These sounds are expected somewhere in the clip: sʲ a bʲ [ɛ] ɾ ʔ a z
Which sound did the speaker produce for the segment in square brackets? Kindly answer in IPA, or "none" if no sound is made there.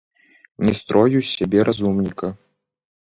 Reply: ɛ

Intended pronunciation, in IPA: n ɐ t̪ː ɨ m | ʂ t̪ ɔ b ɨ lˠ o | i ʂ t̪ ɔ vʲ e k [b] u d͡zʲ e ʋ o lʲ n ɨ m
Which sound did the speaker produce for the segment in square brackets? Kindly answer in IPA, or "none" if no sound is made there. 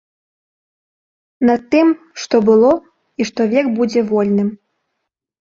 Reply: b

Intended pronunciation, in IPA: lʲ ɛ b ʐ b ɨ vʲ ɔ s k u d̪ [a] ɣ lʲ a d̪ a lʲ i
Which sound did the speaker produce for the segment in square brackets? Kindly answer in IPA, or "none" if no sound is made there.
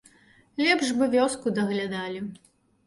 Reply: ɐ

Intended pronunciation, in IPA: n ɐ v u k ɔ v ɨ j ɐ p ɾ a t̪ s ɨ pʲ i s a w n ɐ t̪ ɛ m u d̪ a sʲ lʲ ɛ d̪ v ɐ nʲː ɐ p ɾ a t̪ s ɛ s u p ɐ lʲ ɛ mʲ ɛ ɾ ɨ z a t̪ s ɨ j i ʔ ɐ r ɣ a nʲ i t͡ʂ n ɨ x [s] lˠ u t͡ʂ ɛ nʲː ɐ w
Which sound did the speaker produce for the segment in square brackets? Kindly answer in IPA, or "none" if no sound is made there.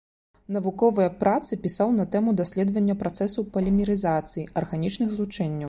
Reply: z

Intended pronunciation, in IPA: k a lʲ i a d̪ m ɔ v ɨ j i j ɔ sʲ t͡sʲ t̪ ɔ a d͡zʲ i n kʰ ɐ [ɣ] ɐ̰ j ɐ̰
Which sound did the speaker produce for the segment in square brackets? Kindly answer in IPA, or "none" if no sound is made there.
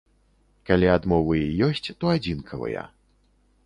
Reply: v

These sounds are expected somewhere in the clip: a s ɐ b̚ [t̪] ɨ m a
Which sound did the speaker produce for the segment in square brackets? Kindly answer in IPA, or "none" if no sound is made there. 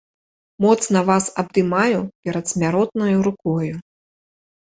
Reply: d̪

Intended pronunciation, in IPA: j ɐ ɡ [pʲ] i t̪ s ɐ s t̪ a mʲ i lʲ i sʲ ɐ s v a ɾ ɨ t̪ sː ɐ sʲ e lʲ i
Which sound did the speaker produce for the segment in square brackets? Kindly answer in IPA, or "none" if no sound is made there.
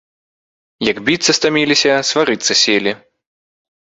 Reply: bʲ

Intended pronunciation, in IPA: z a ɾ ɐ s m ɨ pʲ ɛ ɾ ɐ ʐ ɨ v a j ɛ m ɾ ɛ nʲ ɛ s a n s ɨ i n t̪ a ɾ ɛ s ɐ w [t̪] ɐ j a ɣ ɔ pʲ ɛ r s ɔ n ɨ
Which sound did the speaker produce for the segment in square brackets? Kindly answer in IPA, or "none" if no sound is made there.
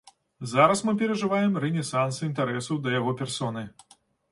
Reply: d̪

